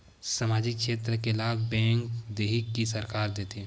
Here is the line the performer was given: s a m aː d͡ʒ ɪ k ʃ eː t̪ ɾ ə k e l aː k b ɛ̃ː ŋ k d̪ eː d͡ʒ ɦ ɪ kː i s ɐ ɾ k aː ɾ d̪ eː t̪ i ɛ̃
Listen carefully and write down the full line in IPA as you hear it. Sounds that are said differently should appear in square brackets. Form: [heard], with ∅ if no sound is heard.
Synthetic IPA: s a m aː d͡ʒ ɪ k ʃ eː t̪ ɾ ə k e l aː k b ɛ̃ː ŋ k d̪ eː [∅] ɦ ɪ kː i s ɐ ɾ k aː ɾ d̪ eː t̪ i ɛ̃